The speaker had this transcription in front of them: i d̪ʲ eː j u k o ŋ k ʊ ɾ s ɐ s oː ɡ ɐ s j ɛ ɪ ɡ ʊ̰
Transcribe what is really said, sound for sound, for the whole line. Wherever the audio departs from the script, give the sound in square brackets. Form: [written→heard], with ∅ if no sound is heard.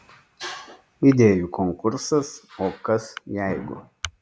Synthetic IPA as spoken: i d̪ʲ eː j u k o ŋ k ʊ ɾ s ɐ s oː [ɡ→k] ɐ s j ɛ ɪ ɡ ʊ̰

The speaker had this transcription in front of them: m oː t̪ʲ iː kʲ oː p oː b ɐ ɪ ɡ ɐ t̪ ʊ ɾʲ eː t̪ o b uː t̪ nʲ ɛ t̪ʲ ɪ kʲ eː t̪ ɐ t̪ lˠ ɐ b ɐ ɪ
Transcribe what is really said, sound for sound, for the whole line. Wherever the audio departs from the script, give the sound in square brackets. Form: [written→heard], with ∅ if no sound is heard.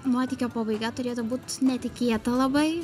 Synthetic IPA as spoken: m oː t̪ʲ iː kʲ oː p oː b ɐ ɪ ɡ ɐ t̪ ʊ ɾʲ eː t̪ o b uː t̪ nʲ ɛ t̪ʲ ɪ kʲ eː t̪ ɐ [t̪→∅] lˠ ɐ b ɐ ɪ

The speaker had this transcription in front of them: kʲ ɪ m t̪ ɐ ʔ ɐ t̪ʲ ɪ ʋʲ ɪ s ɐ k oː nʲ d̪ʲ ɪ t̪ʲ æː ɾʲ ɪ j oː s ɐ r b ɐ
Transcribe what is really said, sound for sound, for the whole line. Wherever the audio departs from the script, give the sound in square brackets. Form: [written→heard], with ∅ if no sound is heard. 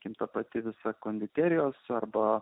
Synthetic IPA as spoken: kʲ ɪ m t̪ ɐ [ʔ→p] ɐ t̪ʲ ɪ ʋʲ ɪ s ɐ k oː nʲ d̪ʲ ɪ t̪ʲ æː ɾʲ ɪ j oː s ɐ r b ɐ

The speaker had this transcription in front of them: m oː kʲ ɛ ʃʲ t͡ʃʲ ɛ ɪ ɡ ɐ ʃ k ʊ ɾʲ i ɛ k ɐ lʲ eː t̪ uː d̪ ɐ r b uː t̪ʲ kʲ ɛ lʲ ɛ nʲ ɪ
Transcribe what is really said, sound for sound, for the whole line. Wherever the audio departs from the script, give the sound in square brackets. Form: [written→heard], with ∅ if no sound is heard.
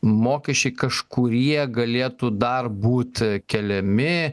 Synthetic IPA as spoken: m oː kʲ ɛ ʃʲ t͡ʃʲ ɛ ɪ [ɡ→k] ɐ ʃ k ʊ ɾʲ i ɛ [k→ɡ] ɐ lʲ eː t̪ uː d̪ ɐ r b uː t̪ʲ kʲ ɛ lʲ ɛ [nʲ→mʲ] ɪ

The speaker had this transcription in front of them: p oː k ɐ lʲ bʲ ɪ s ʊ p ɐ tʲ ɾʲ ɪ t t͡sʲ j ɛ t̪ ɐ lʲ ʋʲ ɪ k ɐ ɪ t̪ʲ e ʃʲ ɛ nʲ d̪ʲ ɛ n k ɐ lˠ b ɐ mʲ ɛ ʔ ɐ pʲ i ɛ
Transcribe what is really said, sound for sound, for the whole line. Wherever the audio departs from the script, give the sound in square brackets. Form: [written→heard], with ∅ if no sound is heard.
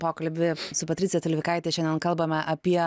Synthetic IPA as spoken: p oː k ɐ lʲ bʲ ɪ s ʊ p ɐ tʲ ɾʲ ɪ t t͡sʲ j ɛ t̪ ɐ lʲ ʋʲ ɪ k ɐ ɪ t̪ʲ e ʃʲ ɛ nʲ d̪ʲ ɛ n k ɐ lˠ b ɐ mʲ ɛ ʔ ɐ pʲ i ɛ

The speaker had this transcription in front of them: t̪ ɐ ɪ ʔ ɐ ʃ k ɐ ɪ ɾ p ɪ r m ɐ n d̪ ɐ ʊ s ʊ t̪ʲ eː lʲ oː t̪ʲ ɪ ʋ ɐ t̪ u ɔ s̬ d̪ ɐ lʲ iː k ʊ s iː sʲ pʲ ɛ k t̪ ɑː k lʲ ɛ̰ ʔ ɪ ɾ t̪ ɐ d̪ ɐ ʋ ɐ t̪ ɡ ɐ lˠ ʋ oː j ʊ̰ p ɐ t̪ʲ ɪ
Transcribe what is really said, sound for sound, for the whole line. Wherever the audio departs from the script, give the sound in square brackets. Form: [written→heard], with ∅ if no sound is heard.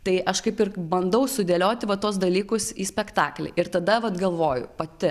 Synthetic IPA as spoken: t̪ ɐ ɪ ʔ ɐ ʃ k ɐ ɪ [ɾ→∅] p ɪ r [m→b] ɐ n d̪ ɐ ʊ s ʊ [t̪ʲ→d̪ʲ] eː lʲ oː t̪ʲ ɪ ʋ ɐ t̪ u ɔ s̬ d̪ ɐ lʲ iː k ʊ s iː sʲ pʲ ɛ k t̪ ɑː k lʲ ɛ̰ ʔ ɪ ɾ t̪ ɐ d̪ ɐ ʋ ɐ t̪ ɡ ɐ lˠ ʋ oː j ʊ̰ p ɐ t̪ʲ ɪ

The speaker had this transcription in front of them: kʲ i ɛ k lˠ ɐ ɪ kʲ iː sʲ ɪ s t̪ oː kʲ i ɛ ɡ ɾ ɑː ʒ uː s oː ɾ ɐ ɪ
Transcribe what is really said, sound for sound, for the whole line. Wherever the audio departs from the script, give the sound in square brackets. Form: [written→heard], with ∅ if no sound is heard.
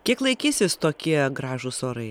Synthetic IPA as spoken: kʲ i ɛ k lˠ ɐ ɪ kʲ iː sʲ ɪ s t̪ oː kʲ i ɛ ɡ ɾ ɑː ʒ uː s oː ɾ ɐ ɪ

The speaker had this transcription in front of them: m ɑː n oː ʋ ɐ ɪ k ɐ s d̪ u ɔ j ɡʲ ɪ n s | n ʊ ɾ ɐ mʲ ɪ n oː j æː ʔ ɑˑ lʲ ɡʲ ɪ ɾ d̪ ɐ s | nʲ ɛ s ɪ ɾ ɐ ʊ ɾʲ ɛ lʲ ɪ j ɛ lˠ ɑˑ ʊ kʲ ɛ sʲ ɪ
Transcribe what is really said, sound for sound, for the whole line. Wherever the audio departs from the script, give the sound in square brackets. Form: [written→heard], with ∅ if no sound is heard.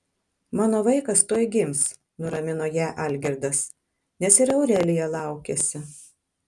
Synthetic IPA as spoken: m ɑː n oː ʋ ɐ ɪ k ɐ s [d̪→t̪] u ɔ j ɡʲ ɪ [n→m] s | n ʊ ɾ ɐ mʲ ɪ n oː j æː ʔ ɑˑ lʲ ɡʲ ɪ ɾ d̪ ɐ s | nʲ ɛ s ɪ ɾ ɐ ʊ ɾʲ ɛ lʲ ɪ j ɛ lˠ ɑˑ ʊ kʲ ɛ sʲ ɪ

